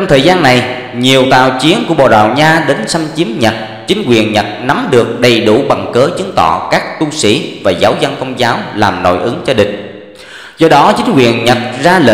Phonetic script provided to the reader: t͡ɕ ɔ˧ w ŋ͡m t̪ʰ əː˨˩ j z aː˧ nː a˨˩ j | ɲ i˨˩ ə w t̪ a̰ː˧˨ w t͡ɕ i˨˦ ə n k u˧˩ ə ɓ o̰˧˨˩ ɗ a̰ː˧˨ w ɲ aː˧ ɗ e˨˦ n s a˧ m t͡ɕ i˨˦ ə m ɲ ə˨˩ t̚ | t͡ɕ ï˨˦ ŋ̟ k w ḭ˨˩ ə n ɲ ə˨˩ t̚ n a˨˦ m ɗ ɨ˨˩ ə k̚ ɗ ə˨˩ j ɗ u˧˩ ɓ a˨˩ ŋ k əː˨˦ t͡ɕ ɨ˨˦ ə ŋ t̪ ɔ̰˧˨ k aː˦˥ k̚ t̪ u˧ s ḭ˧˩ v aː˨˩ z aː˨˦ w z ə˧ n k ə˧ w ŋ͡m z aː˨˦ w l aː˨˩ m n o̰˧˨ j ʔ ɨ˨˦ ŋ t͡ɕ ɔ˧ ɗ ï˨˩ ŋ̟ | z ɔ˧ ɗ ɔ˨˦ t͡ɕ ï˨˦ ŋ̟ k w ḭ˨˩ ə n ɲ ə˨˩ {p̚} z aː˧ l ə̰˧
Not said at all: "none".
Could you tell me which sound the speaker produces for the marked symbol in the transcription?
t̚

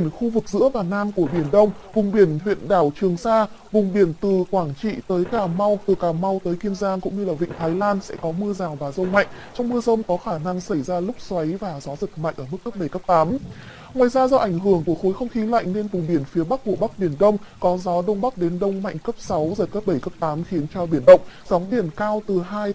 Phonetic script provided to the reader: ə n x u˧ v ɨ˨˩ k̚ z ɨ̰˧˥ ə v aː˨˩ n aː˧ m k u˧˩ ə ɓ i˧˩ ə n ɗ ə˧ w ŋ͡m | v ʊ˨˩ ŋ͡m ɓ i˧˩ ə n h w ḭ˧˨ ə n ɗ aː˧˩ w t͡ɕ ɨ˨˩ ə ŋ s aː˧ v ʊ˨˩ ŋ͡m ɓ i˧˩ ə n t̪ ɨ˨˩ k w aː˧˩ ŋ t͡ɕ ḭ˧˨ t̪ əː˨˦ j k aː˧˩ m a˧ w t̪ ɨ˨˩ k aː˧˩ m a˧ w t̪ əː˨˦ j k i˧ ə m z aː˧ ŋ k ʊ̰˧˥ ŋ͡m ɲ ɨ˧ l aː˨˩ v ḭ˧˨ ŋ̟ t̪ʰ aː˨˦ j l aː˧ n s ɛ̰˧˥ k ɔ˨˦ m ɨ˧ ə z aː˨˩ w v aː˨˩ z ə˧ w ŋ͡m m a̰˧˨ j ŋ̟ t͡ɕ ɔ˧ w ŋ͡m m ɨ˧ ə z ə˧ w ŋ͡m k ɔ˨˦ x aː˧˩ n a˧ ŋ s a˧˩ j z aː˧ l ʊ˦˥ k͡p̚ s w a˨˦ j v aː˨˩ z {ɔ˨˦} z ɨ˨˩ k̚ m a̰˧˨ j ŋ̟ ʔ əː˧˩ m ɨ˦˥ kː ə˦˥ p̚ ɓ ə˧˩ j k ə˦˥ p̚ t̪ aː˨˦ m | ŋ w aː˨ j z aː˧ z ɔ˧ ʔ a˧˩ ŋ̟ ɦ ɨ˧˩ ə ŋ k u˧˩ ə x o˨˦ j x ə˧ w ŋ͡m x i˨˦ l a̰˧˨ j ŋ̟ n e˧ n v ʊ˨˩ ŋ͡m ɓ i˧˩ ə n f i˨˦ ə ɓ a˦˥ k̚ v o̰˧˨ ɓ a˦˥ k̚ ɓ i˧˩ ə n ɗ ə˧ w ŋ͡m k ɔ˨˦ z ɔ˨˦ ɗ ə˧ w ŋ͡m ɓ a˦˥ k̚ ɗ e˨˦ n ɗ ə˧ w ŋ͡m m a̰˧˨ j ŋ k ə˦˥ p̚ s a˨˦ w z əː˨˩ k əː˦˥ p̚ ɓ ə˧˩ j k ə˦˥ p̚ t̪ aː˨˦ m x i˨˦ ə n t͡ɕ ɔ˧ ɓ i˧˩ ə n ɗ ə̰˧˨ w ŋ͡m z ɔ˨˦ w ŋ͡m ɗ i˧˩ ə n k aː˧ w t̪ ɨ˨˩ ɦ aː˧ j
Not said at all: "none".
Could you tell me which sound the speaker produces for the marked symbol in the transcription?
ɔ˨˦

